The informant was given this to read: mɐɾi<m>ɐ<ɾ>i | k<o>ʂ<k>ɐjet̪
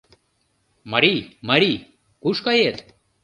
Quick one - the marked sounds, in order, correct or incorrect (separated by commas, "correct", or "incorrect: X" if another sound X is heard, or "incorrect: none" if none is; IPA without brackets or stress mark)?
correct, correct, incorrect: u, correct